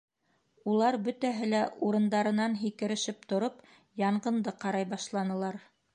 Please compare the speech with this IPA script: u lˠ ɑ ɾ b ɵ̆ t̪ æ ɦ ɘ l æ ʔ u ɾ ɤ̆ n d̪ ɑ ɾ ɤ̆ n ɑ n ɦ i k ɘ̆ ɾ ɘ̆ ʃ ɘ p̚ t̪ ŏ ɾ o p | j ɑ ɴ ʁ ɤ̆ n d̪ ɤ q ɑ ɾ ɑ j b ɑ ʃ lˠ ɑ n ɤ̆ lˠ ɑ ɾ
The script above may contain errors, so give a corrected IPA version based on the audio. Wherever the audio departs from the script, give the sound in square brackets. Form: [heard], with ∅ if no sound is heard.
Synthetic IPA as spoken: u lˠ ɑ ɾ b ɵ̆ t̪ æ ɦ ɘ l æ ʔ u ɾ ɤ̆ n d̪ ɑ ɾ ɤ̆ n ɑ n ɦ i k ɘ̆ ɾ ɘ̆ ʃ ɘ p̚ t̪ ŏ ɾ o p | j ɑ ɴ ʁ ɤ̆ n d̪ ɤ q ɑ ɾ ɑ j b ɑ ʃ lˠ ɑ n ɤ̆ lˠ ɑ ɾ